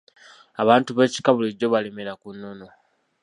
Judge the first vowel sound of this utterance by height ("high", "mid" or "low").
low